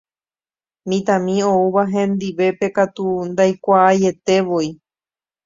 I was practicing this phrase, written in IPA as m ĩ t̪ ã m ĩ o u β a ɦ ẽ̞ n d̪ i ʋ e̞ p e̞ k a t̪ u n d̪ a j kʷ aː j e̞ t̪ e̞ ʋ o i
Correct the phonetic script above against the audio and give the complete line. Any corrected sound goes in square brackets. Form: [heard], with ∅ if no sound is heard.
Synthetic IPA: m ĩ t̪ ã m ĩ o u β a ɦ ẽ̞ n d̪ i ʋ e̞ p e̞ k a t̪ u n d̪ a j kʷ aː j e̞ t̪ e̞ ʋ o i